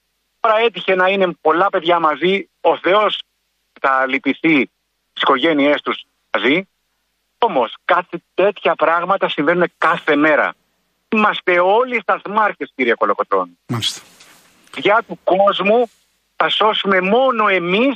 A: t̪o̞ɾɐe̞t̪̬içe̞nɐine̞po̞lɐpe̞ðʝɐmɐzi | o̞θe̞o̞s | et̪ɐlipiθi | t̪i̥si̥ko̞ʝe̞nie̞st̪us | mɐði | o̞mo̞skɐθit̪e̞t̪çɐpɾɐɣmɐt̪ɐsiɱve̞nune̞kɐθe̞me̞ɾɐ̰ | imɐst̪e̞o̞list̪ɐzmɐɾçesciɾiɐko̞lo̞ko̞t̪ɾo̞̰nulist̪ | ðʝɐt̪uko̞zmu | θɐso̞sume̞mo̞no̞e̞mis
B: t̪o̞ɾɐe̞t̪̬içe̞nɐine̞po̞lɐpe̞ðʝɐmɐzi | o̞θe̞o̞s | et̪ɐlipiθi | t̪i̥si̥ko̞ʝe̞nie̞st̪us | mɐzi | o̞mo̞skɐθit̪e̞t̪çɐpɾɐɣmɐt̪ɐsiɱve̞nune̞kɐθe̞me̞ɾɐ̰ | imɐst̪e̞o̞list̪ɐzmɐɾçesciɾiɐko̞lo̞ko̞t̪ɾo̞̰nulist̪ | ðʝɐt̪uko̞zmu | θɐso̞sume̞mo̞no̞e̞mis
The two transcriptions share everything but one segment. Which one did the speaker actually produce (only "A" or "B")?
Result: B